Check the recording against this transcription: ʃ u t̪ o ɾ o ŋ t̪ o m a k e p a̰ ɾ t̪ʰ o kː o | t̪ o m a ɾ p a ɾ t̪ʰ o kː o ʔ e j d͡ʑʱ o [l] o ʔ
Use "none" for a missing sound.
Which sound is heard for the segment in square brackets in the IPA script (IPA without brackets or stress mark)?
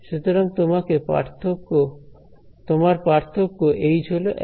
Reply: l